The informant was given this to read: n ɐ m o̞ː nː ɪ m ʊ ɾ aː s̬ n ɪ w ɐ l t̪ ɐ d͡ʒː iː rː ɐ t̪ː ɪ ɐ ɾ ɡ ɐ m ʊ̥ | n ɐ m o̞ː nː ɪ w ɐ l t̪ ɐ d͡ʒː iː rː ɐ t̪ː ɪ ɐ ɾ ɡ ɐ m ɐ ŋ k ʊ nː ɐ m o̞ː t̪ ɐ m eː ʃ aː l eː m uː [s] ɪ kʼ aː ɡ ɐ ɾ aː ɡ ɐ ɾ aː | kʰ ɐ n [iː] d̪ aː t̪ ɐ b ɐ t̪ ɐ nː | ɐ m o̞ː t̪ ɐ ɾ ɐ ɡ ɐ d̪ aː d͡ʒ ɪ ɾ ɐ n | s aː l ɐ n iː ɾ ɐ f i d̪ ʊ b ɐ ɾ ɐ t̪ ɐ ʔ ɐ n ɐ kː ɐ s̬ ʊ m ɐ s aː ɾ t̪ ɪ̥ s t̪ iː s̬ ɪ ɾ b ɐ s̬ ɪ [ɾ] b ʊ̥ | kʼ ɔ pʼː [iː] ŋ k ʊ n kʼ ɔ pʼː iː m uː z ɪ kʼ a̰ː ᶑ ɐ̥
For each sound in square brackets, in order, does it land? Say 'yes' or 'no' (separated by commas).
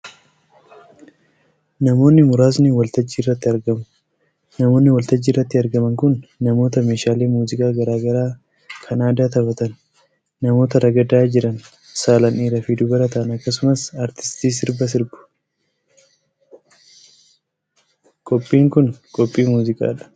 no, no, yes, yes